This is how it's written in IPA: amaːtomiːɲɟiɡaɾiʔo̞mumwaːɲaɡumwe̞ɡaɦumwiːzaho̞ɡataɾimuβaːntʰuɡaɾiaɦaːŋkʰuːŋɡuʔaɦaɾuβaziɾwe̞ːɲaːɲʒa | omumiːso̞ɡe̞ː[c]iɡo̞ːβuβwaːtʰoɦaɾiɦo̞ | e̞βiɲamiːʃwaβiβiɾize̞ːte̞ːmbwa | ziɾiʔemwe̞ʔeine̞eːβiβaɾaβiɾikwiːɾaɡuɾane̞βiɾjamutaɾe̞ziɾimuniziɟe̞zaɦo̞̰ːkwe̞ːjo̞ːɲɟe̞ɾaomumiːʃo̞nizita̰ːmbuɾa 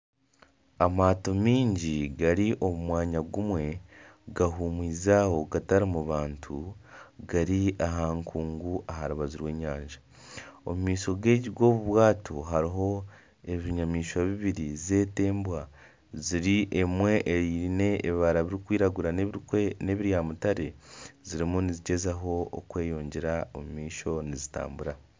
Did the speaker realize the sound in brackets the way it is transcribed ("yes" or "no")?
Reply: no